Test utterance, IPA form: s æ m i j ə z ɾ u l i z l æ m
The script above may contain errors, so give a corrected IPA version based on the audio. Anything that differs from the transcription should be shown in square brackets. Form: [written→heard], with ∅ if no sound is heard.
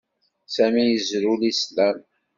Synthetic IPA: s æ m i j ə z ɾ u l i [z→s] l æ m